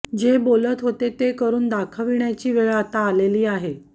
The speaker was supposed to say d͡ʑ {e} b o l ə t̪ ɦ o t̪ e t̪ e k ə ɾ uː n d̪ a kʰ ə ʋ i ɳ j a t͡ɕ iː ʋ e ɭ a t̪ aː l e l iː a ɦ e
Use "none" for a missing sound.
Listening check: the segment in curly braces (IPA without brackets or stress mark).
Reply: e